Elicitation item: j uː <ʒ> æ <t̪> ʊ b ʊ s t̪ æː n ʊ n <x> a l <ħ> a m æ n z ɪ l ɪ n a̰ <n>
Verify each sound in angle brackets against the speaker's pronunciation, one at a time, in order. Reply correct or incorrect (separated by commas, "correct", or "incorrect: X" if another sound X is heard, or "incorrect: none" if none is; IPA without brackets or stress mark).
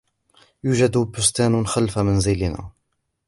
correct, incorrect: d̪, correct, incorrect: f, incorrect: none